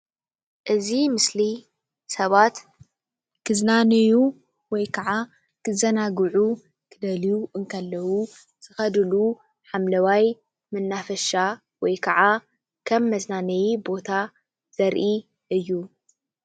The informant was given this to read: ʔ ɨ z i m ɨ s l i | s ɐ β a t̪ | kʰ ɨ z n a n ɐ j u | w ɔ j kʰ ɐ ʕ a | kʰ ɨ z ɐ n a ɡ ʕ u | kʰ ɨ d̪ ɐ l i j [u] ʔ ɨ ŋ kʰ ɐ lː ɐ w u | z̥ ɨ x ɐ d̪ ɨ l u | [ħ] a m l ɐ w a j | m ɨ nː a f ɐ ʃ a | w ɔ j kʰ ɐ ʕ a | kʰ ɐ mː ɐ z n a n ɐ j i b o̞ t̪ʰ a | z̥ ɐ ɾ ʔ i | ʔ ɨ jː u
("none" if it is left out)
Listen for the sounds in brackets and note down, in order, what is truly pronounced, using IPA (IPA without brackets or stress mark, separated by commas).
u, ħ